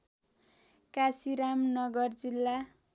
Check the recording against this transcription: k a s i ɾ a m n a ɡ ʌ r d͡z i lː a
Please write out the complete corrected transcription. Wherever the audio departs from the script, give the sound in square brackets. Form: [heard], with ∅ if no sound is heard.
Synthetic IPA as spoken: k a s i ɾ a m n [ʌ] ɡ ʌ r d͡z i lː a